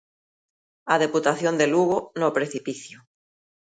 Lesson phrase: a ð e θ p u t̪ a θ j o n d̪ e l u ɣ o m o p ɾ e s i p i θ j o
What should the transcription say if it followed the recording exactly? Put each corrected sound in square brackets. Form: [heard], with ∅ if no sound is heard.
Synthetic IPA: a ð e [∅] p u t̪ a θ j o n d̪ e l u ɣ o [n] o p ɾ e [θ] i p i θ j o